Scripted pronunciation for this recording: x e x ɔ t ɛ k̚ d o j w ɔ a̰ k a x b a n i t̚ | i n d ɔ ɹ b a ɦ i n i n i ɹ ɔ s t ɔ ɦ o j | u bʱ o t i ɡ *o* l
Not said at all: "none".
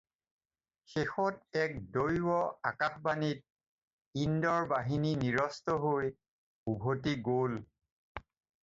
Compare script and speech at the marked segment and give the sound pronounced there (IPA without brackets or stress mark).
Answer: o